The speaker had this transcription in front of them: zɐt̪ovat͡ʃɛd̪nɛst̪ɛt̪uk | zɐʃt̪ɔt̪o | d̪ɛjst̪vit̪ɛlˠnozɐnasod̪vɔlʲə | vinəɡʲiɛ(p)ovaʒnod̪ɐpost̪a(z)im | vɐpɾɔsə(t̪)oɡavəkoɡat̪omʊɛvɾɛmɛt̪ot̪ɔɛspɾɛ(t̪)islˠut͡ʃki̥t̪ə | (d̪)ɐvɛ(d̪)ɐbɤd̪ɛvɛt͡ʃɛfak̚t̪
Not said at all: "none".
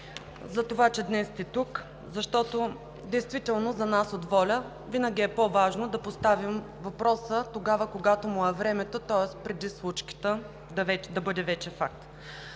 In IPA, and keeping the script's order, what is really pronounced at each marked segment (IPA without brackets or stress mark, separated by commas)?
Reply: p, v, t̪, d̪, d̪, d̪